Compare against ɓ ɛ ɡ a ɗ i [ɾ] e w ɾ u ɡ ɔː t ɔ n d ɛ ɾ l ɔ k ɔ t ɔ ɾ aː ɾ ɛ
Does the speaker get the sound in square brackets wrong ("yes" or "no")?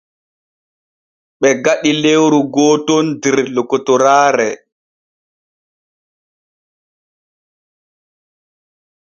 yes